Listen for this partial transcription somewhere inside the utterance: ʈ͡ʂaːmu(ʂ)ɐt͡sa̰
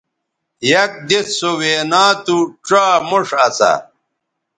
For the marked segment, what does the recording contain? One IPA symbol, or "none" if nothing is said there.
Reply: ʂ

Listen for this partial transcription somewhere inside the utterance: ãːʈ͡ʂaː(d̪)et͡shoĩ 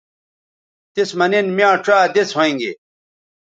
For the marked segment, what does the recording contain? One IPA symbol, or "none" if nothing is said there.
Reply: d̪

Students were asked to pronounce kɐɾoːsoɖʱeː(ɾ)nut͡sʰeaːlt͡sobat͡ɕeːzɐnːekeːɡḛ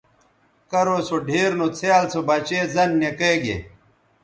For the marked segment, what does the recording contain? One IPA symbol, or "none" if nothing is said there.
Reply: ɾ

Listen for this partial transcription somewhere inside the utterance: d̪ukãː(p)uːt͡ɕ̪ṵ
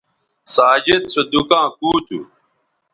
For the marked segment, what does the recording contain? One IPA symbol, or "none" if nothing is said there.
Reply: k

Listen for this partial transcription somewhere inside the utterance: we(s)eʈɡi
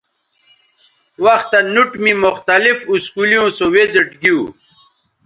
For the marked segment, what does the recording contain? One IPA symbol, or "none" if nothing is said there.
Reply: z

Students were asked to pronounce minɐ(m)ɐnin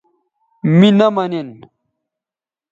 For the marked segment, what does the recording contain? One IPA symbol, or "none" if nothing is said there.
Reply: m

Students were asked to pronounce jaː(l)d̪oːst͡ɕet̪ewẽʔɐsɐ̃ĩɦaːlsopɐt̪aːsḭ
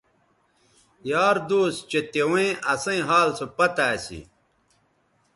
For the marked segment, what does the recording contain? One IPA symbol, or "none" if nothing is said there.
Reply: ɾ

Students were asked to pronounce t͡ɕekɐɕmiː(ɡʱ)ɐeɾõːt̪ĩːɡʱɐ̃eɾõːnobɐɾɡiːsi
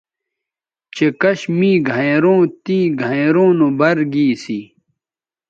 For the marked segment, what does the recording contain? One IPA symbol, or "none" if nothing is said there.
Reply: ɡʱ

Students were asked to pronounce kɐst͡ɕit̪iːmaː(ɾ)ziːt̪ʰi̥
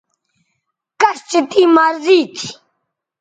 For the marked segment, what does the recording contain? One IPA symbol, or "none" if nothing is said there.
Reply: ɾ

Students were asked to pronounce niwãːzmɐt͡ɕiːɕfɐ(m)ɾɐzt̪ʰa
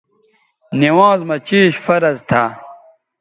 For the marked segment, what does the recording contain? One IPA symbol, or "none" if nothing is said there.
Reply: none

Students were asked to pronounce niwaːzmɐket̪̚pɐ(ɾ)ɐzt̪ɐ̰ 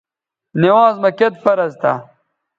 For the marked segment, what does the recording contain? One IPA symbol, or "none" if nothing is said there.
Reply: ɾ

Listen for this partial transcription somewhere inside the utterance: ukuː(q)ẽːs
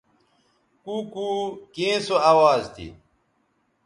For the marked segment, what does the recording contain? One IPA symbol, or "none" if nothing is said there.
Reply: k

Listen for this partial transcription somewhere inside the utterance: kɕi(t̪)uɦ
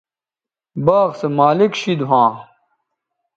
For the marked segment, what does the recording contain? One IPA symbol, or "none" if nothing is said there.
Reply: d̪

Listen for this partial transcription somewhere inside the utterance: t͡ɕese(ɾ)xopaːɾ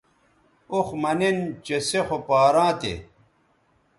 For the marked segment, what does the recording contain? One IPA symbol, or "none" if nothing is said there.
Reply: none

